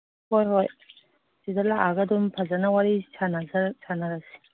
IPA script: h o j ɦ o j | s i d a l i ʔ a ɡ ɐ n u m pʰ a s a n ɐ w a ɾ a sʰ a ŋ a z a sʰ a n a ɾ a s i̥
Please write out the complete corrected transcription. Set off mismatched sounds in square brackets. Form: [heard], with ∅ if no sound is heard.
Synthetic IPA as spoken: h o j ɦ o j | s i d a l [a] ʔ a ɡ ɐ [d] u m pʰ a [z] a n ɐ w a ɾ [i] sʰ a [n] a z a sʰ a n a ɾ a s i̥

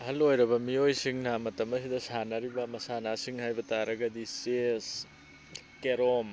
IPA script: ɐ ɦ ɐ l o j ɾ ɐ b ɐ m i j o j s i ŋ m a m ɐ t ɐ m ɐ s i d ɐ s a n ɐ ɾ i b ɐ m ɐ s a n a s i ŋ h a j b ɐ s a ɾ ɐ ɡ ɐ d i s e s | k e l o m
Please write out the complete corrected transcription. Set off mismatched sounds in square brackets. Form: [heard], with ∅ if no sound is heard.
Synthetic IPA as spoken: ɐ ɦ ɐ l o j ɾ ɐ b ɐ m i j o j s i ŋ [n] a m ɐ t ɐ m ɐ s i d ɐ s a n ɐ ɾ i b ɐ m ɐ s a n a s i ŋ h a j b ɐ [t] a ɾ ɐ ɡ ɐ d i s e s | k e [ɾ] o m

